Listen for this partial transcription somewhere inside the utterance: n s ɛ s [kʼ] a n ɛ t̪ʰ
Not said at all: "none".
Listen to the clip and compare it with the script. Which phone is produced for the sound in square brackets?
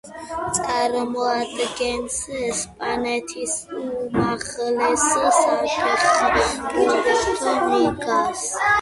pʼ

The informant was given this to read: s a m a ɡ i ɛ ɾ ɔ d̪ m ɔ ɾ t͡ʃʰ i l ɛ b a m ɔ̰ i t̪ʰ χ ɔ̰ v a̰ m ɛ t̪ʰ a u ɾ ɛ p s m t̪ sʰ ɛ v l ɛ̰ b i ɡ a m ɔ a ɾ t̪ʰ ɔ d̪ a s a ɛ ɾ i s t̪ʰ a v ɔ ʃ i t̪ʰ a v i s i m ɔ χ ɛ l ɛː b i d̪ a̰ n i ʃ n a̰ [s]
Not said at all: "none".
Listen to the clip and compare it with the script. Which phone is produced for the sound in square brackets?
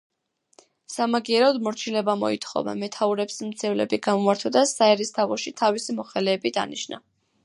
none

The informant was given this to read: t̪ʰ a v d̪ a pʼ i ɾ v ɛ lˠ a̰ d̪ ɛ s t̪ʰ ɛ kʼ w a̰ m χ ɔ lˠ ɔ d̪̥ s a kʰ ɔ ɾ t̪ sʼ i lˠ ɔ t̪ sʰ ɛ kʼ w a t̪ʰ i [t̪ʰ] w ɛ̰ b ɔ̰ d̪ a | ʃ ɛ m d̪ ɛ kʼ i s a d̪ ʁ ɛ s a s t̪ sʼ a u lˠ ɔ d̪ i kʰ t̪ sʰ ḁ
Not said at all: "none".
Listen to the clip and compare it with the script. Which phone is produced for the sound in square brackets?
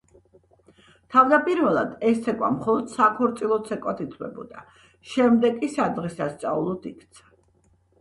t̪ʰ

